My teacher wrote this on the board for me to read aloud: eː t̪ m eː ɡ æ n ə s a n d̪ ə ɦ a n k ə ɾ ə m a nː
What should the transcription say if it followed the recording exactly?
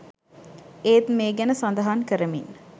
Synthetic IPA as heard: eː t̪ m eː ɡ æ n ə s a n d̪ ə ɦ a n k ə ɾ ə m i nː